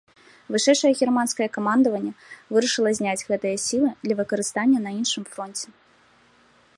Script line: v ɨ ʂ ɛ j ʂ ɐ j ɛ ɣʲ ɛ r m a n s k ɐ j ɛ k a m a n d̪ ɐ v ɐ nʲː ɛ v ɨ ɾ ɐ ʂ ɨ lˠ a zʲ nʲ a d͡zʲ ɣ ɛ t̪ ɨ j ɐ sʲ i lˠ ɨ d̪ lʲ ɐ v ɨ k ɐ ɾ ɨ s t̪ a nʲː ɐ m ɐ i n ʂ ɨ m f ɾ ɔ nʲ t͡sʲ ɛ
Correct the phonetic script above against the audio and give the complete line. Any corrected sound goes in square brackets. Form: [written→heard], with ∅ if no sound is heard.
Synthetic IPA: v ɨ ʂ ɛ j ʂ ɐ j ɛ ɣʲ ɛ r m a n s k ɐ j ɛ k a m a n d̪ ɐ v ɐ nʲː ɛ v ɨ ɾ ɐ ʂ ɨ lˠ [a→ɐ] zʲ nʲ a d͡zʲ ɣ ɛ t̪ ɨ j ɐ sʲ i lˠ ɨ d̪ lʲ ɐ v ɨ k ɐ ɾ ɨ s t̪ a nʲː ɐ [m→n] ɐ i n ʂ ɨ m f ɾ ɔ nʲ t͡sʲ ɛ